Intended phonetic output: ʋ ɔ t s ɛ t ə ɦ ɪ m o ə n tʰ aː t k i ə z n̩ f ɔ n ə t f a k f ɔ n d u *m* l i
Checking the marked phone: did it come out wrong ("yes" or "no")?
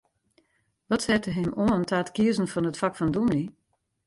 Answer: no